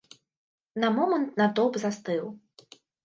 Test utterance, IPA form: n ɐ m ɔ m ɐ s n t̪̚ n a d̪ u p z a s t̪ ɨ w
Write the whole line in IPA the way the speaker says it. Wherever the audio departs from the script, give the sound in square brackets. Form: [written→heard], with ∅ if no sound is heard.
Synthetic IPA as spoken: n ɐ m ɔ m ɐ [s→∅] n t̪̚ n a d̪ [u→ɔ] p z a s t̪ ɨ w